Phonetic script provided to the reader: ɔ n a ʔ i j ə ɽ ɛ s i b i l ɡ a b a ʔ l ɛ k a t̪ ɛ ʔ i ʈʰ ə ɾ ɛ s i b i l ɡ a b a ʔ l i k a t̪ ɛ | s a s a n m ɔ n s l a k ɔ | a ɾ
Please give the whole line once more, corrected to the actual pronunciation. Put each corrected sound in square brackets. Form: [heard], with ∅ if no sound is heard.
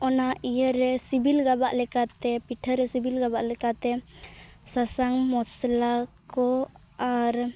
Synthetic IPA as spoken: ɔ n a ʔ i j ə [ɾ] ɛ s i b i l ɡ a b a ʔ l ɛ k a t̪ ɛ [p] i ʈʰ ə ɾ ɛ s i b i l ɡ a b a ʔ l [ɛ] k a t̪ ɛ | s a s a [ŋ] m ɔ [∅] s l a k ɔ | a ɾ